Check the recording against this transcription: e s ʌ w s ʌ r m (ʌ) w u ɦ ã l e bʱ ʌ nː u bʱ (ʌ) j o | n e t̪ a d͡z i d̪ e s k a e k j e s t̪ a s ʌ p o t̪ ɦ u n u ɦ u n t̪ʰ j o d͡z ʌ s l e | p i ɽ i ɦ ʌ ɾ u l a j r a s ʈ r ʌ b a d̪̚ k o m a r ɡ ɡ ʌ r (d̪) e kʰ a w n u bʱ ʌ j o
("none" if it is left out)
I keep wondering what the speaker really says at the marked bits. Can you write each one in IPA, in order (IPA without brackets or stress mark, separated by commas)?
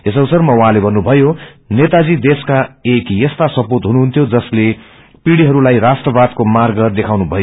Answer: ʌ, ʌ, d̪